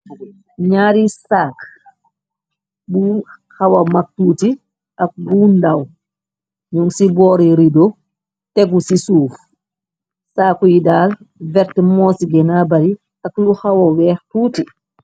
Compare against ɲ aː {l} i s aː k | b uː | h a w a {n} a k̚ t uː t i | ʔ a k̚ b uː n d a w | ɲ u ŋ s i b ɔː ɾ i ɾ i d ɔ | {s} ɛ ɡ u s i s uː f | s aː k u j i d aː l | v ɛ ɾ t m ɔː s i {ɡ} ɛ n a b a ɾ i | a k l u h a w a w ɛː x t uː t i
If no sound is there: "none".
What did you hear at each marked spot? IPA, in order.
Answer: ɾ, m, t, ɡ

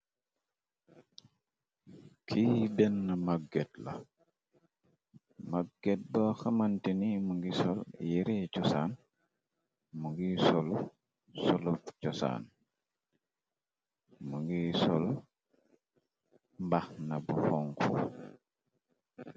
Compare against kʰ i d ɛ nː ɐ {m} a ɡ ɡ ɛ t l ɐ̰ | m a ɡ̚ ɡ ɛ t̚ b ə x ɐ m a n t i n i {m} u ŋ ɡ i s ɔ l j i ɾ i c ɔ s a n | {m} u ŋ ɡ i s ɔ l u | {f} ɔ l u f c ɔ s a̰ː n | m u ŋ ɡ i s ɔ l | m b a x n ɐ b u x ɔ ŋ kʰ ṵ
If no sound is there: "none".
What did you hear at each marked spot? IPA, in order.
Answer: m, m, m, s

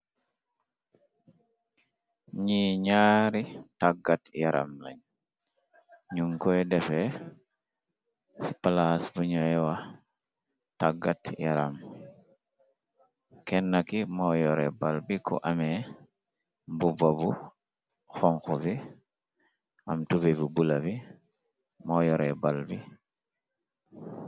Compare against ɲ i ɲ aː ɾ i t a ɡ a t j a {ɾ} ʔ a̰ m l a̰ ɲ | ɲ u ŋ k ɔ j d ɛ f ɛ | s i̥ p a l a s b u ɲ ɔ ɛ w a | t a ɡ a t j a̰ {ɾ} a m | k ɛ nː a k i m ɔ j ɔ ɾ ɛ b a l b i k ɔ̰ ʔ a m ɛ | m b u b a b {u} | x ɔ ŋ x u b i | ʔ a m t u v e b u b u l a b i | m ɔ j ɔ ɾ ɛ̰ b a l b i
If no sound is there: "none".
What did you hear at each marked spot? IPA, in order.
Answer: ɾ, ɾ, u

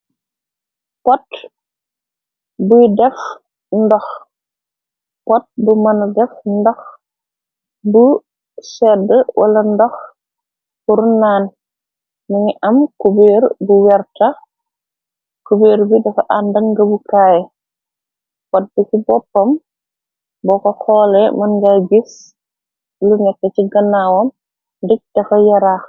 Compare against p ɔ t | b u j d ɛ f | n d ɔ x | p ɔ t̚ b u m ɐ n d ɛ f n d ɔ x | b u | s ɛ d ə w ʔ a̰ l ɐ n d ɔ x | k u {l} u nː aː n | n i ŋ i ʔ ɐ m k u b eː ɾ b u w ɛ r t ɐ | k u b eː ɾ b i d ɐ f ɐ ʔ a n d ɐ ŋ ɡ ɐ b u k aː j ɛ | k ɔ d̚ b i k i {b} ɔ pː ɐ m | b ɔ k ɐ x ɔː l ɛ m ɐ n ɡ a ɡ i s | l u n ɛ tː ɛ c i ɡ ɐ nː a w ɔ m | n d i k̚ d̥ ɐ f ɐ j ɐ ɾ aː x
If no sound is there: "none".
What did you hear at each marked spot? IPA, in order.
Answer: ɾ, b

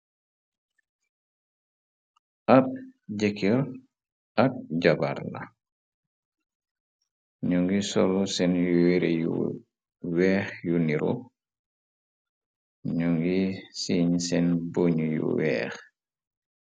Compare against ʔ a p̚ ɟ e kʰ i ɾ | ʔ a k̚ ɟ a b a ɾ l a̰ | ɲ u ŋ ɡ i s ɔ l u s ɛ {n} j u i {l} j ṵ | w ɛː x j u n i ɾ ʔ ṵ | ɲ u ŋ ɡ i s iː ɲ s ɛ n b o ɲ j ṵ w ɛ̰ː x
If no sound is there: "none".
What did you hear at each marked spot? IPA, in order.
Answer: n, ɾ

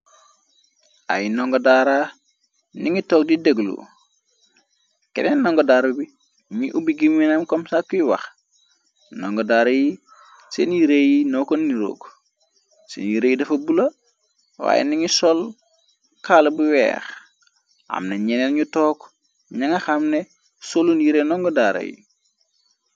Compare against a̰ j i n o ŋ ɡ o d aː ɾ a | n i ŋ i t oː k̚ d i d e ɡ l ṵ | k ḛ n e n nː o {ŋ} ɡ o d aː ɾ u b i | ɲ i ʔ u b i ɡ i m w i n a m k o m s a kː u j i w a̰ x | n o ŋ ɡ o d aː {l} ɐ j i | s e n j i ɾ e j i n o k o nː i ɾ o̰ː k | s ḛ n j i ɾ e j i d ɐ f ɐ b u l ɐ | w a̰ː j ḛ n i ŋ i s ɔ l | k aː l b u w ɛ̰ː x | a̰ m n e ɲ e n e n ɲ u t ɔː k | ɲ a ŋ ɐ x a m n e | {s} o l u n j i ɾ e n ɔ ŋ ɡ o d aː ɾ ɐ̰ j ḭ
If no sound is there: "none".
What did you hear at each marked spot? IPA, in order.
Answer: ŋ, ɾ, s

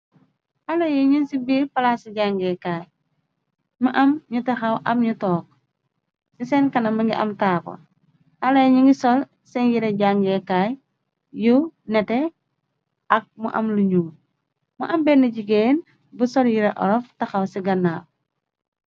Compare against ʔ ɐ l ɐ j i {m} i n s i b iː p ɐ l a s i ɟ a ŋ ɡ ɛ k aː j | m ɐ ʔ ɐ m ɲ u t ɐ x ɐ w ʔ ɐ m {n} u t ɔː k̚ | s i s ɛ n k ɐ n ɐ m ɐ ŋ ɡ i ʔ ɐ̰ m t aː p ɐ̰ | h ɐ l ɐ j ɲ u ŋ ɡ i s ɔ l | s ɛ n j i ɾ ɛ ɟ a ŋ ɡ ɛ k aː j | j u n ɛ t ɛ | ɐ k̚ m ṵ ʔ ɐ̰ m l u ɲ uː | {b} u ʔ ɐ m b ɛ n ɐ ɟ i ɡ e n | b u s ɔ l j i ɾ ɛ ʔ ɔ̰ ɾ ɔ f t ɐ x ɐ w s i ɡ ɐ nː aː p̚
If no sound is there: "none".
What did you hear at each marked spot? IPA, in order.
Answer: ɲ, ɲ, m

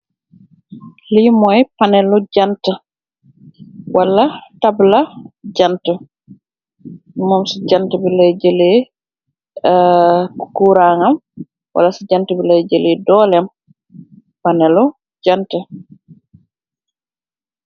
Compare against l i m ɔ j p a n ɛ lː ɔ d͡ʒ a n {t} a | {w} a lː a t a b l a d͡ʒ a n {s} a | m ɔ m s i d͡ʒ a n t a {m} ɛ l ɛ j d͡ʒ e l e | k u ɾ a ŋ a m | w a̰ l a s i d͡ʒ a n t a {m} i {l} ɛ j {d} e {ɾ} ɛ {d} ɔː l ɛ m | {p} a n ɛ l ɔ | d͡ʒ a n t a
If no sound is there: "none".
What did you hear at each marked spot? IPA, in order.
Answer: t, w, t, b, b, l, d͡ʒ, l, d, p

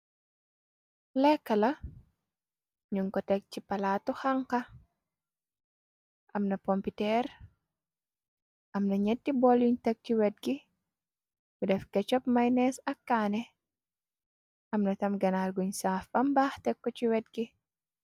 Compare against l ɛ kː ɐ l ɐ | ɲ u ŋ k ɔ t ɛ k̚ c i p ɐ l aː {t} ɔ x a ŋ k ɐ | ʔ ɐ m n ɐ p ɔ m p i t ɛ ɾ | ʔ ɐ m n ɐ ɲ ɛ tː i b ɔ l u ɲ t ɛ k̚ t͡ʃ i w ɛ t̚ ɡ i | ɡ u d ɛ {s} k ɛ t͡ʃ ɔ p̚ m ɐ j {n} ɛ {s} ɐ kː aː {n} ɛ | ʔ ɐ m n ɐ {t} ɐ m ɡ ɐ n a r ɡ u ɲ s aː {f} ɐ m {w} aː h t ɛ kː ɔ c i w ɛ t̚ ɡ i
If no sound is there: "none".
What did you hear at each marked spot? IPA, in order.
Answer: t, f, n, s, n, t, f, b

